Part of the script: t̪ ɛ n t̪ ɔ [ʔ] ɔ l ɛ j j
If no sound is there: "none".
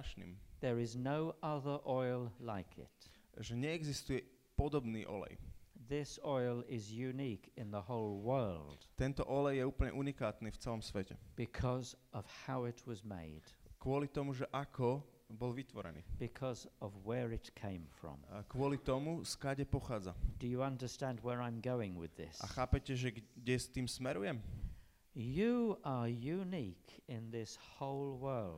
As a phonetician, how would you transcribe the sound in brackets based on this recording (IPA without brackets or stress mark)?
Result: ʔ